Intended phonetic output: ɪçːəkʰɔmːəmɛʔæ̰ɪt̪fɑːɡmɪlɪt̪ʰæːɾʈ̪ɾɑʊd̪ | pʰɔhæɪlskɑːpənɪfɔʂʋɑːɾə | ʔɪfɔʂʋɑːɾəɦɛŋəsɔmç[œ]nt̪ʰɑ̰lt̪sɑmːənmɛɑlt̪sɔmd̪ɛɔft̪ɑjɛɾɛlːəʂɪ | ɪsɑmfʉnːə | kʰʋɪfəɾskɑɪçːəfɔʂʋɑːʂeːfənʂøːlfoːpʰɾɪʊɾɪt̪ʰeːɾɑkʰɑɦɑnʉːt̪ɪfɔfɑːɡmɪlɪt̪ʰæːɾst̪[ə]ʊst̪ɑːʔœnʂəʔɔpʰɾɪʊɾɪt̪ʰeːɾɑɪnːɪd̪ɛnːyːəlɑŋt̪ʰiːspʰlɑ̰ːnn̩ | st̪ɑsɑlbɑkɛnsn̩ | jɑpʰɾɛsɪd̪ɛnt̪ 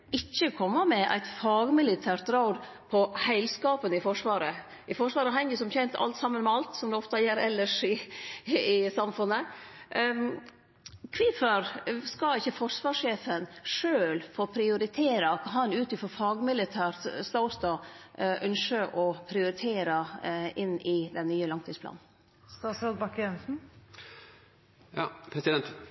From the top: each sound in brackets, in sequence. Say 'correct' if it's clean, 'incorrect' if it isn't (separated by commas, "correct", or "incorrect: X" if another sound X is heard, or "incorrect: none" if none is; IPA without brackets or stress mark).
incorrect: ɛ, incorrect: ɑ